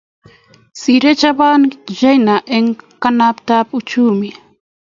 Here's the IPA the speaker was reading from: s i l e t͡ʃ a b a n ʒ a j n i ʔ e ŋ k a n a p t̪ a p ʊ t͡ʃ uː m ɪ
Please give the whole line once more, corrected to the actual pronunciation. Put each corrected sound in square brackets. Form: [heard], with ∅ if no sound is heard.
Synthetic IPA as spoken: s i [ɾ] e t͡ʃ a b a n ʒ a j n [a] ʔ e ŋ k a n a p t̪ a p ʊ t͡ʃ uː m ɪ